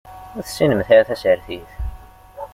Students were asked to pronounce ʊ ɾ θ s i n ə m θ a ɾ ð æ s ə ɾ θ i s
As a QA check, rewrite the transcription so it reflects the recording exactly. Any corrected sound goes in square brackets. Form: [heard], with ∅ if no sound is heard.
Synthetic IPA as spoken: ʊ ɾ θ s i n ə m θ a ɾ [θ] æ s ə ɾ θ i [θ]